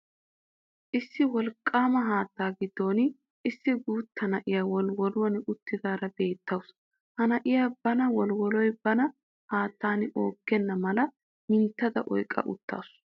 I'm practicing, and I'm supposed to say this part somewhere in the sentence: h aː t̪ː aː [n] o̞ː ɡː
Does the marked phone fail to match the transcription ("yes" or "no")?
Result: no